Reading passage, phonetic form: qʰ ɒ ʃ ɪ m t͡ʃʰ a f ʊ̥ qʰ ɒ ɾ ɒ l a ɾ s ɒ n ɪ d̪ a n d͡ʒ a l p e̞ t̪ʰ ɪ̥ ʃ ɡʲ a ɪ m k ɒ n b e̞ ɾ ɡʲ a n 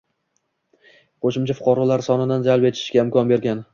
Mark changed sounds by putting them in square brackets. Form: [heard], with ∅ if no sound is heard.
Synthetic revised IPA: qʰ [o] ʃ ɪ m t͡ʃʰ a f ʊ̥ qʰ ɒ ɾ ɒ l a ɾ s ɒ n ɪ d̪ a n d͡ʒ a l p e̞ t̪ʰ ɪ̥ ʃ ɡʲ a ɪ m k ɒ n b e̞ ɾ ɡʲ a n